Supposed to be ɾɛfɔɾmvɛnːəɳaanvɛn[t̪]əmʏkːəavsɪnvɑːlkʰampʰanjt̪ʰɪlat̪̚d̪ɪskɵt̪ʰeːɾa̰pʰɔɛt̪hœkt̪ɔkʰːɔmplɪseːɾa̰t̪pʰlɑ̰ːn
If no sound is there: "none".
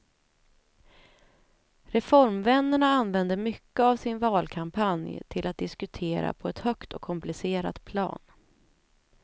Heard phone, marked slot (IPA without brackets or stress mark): d̪